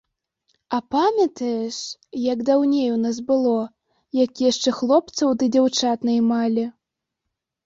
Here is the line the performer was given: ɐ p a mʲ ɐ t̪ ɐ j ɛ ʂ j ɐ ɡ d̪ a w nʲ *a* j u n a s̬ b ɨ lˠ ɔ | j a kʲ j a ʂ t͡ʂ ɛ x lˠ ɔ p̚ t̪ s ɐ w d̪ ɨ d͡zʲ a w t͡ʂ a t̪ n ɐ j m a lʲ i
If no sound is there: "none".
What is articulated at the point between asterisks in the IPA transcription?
e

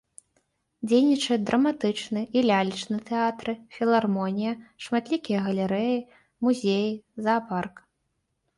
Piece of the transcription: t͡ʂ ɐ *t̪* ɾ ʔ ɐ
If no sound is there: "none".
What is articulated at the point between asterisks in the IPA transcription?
d̪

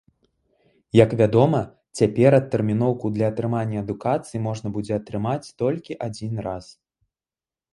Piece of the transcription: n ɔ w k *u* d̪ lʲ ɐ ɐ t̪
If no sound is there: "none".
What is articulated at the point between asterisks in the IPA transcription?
u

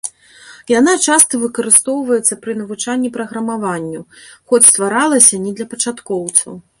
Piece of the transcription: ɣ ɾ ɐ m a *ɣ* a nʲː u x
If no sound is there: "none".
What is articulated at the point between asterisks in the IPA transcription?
v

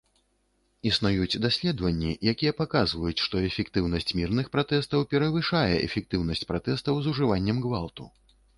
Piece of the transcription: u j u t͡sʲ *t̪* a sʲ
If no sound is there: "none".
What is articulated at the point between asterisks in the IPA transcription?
d̪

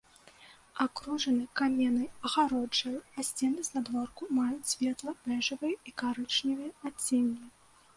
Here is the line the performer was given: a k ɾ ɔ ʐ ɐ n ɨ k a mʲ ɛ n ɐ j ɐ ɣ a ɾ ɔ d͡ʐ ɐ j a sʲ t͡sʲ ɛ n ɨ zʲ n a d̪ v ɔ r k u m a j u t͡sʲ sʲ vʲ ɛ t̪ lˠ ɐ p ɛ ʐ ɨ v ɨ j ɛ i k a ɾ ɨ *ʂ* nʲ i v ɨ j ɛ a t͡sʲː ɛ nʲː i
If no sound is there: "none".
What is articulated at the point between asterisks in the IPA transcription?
t͡ʂ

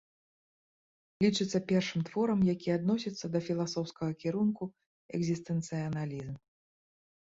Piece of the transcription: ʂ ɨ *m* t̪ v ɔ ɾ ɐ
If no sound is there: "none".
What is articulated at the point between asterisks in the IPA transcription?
m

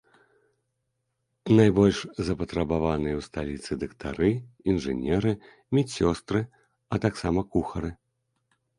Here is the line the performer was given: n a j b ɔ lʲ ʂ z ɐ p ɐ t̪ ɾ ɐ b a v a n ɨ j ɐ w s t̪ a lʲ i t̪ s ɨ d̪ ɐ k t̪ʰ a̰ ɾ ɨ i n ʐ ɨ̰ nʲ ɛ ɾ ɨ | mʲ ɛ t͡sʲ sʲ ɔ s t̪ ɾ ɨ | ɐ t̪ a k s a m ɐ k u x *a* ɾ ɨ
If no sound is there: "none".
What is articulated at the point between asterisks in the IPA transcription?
ɐ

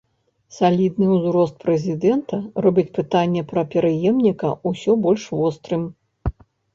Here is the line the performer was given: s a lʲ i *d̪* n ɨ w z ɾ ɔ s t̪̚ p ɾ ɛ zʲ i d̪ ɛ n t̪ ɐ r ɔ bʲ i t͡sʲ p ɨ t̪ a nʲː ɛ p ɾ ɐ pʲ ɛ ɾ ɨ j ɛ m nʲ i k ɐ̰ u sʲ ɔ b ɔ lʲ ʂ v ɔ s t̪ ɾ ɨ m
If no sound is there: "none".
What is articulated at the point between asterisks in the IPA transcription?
d̪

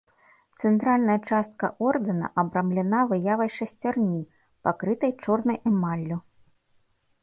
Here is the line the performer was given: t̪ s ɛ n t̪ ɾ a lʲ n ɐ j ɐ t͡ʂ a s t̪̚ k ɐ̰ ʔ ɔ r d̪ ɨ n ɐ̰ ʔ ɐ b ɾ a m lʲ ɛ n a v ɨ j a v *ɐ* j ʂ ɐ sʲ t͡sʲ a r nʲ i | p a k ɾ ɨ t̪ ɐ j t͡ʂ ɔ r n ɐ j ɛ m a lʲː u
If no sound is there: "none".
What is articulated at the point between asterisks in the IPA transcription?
ɐ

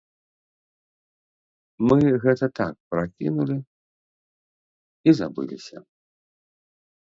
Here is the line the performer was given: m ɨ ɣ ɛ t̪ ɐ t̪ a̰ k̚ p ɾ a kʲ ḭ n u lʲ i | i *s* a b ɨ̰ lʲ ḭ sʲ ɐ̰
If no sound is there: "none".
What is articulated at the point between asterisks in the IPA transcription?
z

